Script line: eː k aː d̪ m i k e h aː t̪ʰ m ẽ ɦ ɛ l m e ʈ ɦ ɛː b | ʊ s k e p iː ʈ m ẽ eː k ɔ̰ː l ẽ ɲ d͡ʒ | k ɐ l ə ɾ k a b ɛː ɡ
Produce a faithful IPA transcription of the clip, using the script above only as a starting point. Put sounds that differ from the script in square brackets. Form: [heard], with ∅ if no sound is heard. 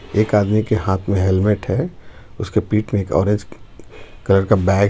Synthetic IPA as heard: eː k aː d̪ m i k e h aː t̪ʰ m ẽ ɦ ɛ l m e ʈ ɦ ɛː [∅] | ʊ s k e p iː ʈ m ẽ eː k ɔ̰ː [ɾ] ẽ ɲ d͡ʒ | k ɐ l ə ɾ k a b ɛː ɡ